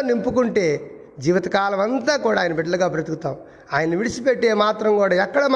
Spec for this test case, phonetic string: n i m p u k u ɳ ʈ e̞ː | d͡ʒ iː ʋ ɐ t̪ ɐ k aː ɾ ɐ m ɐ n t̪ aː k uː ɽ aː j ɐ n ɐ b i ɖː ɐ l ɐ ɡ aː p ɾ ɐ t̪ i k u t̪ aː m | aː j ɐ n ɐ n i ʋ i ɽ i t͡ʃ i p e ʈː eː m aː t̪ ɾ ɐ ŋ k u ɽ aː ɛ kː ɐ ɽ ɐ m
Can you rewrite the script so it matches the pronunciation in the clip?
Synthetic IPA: n i m p u k u ɳ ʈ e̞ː | d͡ʒ iː ʋ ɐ t̪ ɐ k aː l ɐ m ɐ n t̪ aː k uː ɽ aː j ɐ n ɐ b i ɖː ɐ l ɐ ɡ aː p ɾ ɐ t̪ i k u t̪ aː m | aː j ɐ n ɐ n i ʋ i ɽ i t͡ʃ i p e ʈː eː m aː t̪ ɾ ɐ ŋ k uː ɽ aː ɛ kː ɐ ɽ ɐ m